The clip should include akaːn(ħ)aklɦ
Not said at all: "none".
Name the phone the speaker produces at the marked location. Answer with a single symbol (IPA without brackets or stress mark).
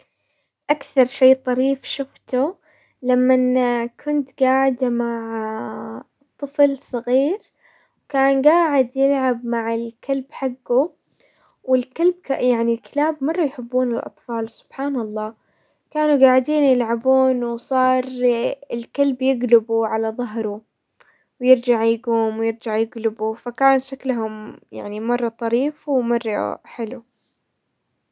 ʃ